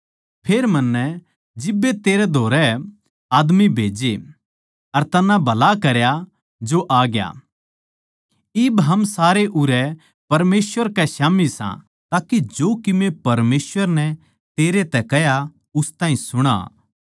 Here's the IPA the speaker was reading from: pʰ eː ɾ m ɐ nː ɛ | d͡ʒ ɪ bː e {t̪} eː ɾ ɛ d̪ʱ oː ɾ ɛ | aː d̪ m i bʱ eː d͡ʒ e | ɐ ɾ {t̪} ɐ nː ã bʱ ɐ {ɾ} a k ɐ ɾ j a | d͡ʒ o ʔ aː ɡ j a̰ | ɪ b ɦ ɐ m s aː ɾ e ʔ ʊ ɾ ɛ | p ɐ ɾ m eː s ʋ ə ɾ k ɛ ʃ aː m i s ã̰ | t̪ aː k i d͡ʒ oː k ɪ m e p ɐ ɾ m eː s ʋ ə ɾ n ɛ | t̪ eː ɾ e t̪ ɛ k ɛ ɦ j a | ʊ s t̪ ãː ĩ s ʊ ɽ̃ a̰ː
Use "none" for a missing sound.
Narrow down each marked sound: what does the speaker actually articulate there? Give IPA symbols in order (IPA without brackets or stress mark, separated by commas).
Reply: t̪, t̪, l